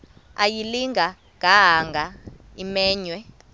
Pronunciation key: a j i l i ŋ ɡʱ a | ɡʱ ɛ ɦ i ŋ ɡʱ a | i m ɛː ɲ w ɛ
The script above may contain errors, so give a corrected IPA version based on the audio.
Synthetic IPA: a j i l i ŋ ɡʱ a | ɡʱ a ɦ a ŋ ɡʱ a | i m ɛː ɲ w ɛ